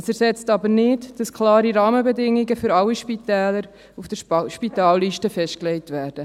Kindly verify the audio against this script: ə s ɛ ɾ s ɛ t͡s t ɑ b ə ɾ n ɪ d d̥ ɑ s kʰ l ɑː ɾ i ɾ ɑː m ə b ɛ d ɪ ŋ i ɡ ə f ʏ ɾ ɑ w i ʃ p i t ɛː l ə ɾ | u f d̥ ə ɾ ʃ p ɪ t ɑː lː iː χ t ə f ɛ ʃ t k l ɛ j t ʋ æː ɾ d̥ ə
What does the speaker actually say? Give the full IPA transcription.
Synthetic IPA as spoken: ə s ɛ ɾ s ɛ t͡s t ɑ b ə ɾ n ɪ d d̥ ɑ s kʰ l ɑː ɾ i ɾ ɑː m ə b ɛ d ɪ ŋ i ɡ ə f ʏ ɾ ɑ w i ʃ p i t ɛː l ə ɾ | u f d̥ ə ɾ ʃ p i t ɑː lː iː ʃ t ə f ɛ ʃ t k l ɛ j t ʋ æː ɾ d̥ ə